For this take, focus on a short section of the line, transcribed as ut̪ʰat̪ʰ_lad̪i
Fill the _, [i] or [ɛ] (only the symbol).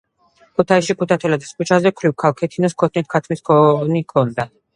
ɛ